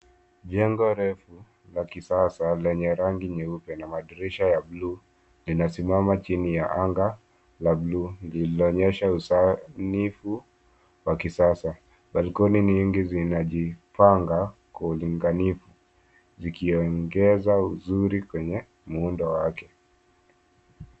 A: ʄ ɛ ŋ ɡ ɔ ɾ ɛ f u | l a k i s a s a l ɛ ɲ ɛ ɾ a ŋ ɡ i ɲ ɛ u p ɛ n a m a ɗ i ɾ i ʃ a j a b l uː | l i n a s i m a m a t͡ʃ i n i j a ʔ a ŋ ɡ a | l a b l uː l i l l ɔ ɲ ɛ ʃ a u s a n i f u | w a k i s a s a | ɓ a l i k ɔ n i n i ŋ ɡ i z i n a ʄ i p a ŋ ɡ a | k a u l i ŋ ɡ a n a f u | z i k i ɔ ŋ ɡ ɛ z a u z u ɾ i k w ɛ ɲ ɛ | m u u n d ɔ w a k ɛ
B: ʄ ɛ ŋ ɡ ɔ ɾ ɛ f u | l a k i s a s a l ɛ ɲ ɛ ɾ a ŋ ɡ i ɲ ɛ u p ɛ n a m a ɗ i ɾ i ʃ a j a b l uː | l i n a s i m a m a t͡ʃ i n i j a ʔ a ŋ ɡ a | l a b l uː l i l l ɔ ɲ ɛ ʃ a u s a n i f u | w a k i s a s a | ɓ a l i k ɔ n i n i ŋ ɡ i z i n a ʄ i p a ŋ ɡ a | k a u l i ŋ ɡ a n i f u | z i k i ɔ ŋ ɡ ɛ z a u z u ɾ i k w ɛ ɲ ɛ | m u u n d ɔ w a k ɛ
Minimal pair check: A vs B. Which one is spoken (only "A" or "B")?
B